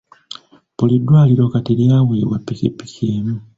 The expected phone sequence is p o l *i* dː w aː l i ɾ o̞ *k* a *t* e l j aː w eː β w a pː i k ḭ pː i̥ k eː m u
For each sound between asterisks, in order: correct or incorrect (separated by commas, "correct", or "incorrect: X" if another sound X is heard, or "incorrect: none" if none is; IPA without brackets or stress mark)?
correct, correct, correct